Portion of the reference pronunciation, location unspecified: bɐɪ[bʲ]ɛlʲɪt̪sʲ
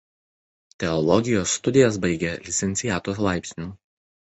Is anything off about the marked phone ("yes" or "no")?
yes